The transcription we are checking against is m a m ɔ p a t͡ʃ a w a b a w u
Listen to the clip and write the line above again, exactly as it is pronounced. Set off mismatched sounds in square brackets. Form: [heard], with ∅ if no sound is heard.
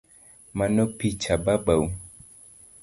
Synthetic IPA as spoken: m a [n] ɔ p [i] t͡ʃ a [b] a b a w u

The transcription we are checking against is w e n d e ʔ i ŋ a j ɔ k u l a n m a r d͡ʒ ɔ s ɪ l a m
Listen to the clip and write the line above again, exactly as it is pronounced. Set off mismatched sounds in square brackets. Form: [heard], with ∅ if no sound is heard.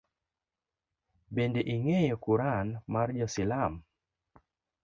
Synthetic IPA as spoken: [b] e n d e ʔ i ŋ [e] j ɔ k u [ɾ] a n m a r d͡ʒ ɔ s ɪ l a m

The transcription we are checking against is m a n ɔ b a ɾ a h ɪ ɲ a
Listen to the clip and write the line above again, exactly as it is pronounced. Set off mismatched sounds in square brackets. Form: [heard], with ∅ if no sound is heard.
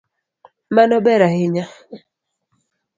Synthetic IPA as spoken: m a n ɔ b [ɛ] ɾ a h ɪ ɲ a

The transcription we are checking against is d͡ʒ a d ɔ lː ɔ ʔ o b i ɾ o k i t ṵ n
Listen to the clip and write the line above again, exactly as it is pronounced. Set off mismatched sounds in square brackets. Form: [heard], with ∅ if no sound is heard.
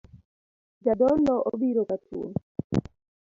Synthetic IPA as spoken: d͡ʒ a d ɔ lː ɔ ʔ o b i ɾ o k [a] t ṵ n

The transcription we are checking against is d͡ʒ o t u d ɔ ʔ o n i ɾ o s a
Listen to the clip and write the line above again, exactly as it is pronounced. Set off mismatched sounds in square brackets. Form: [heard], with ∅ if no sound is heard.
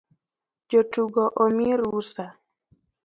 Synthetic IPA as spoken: d͡ʒ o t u [ɡ] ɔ ʔ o [m] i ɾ [u] s a

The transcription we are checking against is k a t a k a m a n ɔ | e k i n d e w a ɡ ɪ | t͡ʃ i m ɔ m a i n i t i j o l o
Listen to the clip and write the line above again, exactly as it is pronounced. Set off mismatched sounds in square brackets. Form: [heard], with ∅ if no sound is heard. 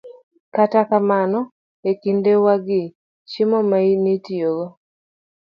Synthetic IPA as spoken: k a t a k a m a n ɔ | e k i n d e w a ɡ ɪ | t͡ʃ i m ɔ m a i n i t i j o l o

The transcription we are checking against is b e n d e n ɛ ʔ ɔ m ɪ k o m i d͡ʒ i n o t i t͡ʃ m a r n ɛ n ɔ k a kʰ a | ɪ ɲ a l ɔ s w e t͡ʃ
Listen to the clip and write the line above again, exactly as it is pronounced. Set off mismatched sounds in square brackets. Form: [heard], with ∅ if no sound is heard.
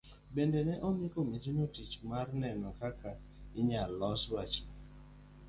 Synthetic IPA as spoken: b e n d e n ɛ ʔ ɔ m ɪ k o m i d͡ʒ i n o t i t͡ʃ m a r n ɛ n ɔ k a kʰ a | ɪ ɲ a l ɔ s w [a] t͡ʃ

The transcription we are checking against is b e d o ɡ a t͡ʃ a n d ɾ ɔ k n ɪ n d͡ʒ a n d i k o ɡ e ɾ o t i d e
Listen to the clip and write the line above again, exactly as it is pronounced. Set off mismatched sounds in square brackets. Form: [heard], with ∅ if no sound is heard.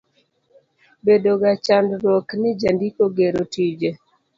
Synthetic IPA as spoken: b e d o ɡ a t͡ʃ a n d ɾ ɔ k n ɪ [∅] d͡ʒ a n d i k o ɡ e ɾ o t i [d͡ʒ] e

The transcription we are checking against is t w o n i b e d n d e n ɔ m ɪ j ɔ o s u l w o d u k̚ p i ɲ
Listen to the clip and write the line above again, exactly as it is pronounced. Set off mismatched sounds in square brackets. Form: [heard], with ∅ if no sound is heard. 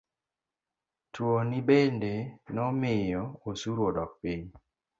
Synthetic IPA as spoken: t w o n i b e [∅] n d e n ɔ m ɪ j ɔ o s u [ɾ] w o d [ɔ] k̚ p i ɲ

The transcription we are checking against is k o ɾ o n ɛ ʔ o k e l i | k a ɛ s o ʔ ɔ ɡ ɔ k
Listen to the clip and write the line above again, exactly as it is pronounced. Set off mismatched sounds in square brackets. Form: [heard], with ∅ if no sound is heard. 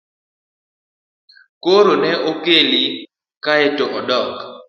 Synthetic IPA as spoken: k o ɾ o n ɛ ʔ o k e l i | k a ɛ [t] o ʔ ɔ [d] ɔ k

